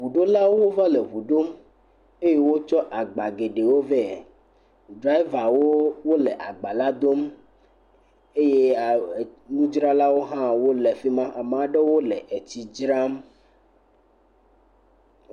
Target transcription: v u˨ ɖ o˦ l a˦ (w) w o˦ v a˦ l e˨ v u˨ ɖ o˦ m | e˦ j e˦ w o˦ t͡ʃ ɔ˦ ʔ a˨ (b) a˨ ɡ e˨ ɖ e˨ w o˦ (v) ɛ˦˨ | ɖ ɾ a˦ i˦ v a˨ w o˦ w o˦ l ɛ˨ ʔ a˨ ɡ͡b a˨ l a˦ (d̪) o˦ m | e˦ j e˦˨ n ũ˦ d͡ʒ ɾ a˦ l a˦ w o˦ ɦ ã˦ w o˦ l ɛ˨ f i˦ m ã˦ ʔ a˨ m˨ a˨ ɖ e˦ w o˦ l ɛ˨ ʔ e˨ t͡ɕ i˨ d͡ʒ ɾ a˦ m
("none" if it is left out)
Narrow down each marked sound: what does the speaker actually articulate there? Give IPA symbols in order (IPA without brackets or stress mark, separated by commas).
w, ɡ͡b, v, d̪